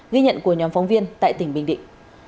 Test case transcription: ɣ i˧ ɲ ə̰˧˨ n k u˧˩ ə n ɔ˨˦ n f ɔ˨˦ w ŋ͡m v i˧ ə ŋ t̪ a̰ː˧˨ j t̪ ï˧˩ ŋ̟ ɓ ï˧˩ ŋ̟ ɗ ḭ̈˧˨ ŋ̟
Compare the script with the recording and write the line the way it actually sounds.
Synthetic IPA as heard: ɣ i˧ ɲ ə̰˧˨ n k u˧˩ ə ɲ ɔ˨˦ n f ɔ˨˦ w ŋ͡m v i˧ ə n t̪ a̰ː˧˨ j t̪ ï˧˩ ŋ̟ ɓ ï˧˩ ŋ̟ ɗ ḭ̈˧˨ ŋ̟